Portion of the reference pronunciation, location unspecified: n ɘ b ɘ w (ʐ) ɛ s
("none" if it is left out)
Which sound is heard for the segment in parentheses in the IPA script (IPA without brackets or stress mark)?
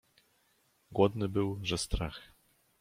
ʐ